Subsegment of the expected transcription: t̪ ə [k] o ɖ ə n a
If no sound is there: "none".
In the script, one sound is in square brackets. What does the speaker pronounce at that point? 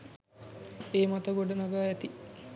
ɡ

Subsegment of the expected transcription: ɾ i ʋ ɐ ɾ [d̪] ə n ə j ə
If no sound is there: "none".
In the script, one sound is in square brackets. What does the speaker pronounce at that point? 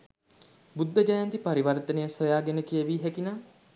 t̪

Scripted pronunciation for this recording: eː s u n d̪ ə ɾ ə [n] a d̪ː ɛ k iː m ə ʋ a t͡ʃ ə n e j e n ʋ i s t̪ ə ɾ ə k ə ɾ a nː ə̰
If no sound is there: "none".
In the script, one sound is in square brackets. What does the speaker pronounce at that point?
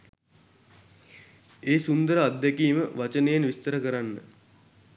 none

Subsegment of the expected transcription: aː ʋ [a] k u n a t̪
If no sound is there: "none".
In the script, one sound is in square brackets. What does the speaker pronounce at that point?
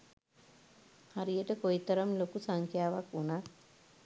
a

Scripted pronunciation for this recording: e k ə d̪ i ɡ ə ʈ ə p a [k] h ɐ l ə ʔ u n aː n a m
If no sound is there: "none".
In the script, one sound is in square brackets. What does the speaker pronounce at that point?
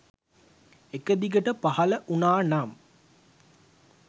none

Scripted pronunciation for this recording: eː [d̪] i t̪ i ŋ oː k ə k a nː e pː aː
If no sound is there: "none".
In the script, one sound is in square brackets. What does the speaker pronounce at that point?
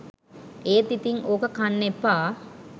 t̪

